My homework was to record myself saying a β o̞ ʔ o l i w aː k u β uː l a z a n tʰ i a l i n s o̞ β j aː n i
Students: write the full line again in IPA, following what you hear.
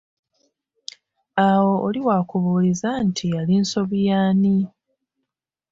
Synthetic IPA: a w o̞ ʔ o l i w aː k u β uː l i z a n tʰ i a l i n s o̞ β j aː n i